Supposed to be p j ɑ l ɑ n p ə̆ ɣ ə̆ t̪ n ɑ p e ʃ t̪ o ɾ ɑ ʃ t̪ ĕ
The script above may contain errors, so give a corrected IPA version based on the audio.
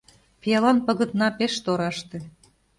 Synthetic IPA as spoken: p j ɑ l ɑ n p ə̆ ɣ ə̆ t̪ n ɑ p e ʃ t̪ o ɾ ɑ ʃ t̪ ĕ